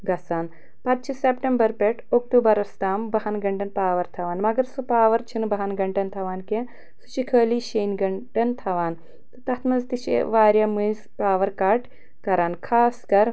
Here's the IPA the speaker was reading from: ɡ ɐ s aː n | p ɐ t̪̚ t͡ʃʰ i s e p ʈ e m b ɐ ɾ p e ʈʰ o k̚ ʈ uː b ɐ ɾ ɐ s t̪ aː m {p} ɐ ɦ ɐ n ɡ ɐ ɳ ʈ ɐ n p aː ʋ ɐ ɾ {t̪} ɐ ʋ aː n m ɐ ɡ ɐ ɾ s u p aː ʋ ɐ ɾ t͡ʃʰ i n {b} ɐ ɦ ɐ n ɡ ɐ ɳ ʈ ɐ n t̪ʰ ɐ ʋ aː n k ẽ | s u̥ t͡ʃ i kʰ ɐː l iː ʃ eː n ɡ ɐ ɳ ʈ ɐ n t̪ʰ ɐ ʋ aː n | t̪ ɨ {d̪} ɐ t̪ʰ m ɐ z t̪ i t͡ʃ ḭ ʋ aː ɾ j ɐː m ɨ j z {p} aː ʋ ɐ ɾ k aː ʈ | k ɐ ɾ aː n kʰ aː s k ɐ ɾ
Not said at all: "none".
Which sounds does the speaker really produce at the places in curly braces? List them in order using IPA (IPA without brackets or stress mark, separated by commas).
b, t̪ʰ, b, t̪, p